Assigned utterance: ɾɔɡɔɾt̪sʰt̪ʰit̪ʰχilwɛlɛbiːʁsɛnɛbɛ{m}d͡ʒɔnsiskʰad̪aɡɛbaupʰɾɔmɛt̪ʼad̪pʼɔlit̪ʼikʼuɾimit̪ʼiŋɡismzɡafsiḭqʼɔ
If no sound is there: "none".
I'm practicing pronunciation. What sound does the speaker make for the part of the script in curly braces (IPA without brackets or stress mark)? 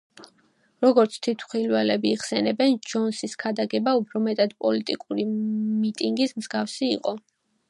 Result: n